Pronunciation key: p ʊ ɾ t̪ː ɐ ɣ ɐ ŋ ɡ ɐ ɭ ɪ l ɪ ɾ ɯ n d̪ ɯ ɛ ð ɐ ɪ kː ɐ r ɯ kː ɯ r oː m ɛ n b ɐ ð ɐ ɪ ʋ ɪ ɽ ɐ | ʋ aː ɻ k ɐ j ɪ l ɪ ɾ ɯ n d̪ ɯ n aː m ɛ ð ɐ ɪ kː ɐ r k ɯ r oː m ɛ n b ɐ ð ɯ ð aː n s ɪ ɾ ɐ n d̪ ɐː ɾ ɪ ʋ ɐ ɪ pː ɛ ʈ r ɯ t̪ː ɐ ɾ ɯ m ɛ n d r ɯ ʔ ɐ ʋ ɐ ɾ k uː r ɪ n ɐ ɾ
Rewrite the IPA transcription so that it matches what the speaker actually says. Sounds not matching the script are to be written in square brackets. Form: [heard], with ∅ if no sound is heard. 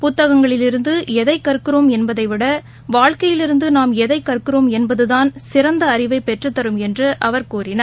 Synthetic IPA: p ʊ [∅] t̪ː ɐ ɣ ɐ ŋ ɡ ɐ ɭ ɪ l ɪ ɾ ɯ n d̪ ɯ ɛ ð ɐ ɪ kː ɐ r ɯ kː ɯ r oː m ɛ n b ɐ ð ɐ ɪ ʋ ɪ ɽ ɐ | ʋ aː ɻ k ɐ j ɪ l ɪ ɾ ɯ n d̪ ɯ n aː m ɛ ð ɐ ɪ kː ɐ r k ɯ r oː m ɛ n b ɐ ð ɯ ð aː n s ɪ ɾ ɐ n d̪ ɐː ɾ ɪ ʋ ɐ ɪ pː ɛ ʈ r ɯ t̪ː ɐ ɾ ɯ m ɛ n d r ɯ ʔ ɐ ʋ ɐ ɾ k uː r ɪ n ɐ ɾ